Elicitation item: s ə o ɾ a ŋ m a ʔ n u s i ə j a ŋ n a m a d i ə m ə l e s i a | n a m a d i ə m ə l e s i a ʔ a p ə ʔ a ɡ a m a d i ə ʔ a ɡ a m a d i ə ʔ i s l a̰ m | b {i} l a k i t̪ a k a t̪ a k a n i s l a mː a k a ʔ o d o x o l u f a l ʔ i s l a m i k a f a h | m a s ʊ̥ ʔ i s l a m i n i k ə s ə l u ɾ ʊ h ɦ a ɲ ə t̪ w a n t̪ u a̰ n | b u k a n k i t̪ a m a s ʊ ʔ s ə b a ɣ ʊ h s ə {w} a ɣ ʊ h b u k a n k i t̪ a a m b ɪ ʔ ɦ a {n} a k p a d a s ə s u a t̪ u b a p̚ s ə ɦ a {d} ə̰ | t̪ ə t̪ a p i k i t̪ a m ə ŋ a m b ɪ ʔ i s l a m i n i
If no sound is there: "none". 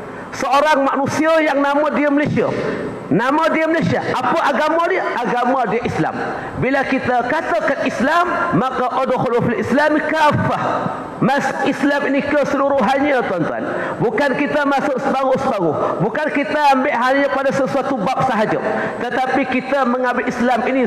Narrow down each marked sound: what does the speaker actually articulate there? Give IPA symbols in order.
i, b, ɲ, d͡ʒ

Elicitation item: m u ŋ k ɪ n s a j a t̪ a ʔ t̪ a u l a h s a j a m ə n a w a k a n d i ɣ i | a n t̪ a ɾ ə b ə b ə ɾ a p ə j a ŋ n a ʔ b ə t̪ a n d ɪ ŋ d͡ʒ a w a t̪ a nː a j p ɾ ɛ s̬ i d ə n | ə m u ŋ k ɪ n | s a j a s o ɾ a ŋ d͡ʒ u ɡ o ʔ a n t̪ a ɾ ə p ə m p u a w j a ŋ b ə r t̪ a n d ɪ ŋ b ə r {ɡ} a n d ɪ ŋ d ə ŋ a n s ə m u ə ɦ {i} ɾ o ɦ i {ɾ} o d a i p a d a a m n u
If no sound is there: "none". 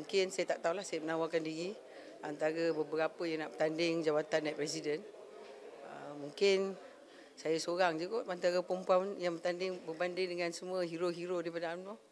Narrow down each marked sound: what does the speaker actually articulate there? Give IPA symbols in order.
b, i, ɾ

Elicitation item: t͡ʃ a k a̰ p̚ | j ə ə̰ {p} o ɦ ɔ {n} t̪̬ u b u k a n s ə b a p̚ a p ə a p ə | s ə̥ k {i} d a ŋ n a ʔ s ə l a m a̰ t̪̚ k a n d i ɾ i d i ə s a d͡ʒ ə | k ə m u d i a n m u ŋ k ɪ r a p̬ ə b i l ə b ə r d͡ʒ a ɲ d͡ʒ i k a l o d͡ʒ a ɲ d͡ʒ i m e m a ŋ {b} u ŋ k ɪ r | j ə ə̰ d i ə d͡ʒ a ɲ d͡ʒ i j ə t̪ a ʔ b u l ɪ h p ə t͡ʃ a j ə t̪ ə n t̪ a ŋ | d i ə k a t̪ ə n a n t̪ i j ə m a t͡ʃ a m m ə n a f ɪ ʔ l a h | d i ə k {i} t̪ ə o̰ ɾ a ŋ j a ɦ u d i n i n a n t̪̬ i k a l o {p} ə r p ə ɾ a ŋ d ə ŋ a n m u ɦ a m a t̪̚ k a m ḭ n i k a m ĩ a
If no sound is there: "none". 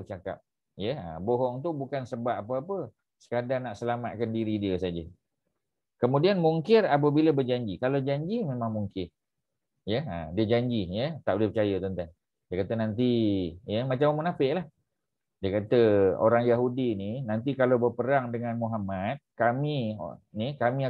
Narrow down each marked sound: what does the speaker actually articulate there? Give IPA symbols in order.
b, ŋ, a, m, a, b

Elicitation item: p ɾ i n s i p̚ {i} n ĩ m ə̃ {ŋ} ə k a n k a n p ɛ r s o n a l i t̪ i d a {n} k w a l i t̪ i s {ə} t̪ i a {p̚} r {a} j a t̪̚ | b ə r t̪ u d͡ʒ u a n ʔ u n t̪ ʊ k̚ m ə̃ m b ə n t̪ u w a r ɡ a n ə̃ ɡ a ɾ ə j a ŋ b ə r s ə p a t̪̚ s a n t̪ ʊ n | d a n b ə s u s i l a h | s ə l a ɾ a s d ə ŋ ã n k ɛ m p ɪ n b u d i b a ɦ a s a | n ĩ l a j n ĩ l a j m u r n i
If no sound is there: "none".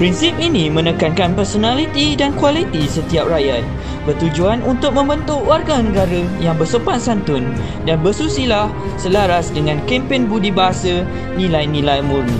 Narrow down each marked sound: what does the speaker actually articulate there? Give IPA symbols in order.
i, n, n, ə, p̚, a

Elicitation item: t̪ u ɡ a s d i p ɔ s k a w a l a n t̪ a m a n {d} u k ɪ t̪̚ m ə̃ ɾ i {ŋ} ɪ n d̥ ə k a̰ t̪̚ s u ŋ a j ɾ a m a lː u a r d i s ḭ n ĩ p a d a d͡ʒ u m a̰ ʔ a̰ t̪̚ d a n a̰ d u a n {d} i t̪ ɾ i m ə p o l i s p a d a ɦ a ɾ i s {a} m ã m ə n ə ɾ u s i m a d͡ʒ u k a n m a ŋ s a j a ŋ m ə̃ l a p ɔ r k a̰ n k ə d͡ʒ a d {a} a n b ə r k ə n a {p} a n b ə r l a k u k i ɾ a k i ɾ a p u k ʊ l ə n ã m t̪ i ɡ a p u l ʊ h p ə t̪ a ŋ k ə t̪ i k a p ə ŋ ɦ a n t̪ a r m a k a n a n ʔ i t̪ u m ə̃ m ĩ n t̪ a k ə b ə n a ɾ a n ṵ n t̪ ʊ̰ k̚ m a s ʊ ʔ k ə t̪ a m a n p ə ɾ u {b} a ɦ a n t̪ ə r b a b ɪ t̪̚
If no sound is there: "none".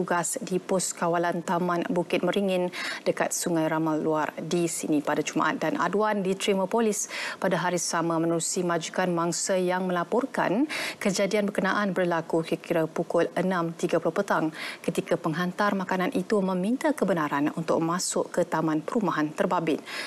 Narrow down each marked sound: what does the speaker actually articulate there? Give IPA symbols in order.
b, ŋ, d, a, i, ʔ, m

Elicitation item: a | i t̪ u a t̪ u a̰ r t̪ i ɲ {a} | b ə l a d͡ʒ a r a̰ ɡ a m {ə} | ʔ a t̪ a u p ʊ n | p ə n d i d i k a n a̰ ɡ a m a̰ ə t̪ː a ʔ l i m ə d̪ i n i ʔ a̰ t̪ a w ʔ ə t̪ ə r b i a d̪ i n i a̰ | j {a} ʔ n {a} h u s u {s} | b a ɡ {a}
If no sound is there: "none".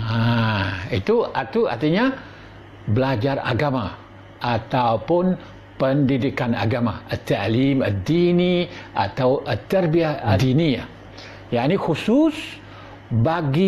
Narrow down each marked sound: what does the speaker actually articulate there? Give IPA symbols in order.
a, a, a, i, s, i

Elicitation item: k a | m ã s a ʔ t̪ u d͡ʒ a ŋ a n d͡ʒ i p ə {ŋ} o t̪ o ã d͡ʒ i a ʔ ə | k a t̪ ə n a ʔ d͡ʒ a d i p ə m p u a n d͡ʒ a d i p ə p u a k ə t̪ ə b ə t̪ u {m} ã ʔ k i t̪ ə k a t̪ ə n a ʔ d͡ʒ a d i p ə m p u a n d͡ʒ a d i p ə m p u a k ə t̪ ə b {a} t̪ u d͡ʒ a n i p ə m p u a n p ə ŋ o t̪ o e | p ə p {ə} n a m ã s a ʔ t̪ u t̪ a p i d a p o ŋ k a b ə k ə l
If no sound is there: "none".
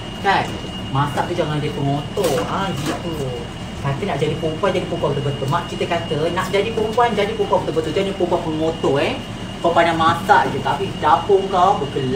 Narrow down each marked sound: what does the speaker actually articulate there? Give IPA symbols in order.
ŋ, m, ə, a

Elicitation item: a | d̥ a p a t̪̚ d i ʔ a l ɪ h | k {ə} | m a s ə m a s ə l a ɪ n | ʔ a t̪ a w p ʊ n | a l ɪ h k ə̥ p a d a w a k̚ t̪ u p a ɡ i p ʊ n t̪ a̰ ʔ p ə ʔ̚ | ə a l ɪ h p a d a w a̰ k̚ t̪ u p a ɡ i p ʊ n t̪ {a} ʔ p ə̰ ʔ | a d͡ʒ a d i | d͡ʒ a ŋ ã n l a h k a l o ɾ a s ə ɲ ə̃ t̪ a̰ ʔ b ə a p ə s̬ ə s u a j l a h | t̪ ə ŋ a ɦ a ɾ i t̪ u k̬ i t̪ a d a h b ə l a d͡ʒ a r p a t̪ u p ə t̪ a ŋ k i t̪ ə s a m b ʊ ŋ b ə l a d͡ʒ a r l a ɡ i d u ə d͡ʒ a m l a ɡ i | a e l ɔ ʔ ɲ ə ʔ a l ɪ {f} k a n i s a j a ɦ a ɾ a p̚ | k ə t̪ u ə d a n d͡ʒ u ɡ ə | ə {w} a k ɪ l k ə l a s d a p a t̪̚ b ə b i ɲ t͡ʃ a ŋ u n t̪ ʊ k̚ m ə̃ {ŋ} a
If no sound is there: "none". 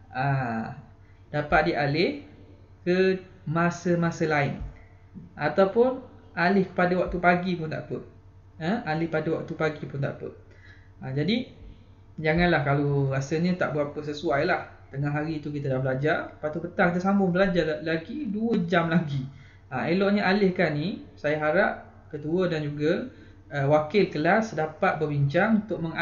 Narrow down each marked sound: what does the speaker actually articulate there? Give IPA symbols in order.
ə, a, h, w, ŋ

